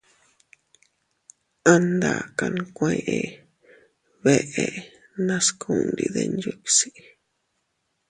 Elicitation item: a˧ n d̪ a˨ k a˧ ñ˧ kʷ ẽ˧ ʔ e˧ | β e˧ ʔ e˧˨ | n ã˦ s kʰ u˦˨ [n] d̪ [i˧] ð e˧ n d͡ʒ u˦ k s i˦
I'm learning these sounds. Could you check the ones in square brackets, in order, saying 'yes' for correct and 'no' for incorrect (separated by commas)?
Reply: yes, yes